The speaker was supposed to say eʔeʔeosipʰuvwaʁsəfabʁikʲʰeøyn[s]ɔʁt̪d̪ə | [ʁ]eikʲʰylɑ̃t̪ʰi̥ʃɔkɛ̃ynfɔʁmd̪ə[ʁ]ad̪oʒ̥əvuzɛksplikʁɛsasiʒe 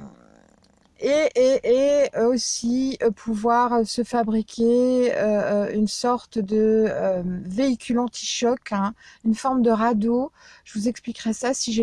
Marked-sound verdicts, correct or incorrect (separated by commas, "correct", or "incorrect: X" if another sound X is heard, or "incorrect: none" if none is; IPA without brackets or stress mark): correct, incorrect: v, correct